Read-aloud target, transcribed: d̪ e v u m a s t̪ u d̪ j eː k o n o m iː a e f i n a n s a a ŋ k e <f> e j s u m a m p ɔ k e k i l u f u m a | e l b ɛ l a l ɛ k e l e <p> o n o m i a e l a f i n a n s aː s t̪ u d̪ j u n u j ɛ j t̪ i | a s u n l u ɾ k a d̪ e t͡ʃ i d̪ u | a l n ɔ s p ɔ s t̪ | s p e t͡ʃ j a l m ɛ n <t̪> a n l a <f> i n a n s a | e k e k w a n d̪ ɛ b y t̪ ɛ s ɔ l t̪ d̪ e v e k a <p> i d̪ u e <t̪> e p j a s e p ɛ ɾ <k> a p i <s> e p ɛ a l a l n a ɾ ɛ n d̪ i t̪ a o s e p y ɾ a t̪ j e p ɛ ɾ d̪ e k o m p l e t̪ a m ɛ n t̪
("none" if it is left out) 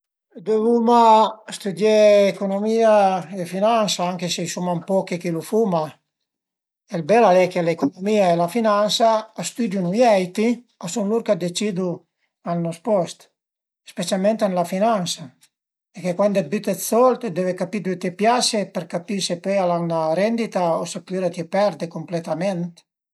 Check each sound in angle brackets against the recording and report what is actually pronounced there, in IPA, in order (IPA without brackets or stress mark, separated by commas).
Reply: s, k, t̪, f, p, t̪, k, s